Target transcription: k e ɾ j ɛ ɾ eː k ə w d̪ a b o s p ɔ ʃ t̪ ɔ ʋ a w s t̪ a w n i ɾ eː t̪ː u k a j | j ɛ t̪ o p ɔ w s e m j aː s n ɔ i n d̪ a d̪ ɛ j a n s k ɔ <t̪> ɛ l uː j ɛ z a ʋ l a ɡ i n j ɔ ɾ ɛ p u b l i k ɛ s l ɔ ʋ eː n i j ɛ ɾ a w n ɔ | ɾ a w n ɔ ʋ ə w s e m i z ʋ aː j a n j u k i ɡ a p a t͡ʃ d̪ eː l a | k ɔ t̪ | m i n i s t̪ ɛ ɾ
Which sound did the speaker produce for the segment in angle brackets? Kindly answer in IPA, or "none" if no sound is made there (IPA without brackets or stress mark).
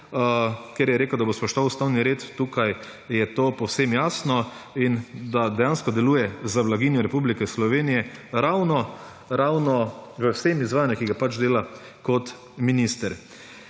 d̪